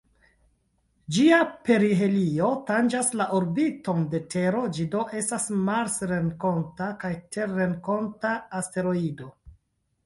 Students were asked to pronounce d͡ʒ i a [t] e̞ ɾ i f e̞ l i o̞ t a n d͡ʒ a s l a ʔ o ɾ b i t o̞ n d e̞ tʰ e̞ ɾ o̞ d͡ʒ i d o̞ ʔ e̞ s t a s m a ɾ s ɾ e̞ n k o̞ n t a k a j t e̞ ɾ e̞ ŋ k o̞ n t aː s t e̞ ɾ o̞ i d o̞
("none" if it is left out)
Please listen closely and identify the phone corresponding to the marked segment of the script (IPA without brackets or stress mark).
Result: p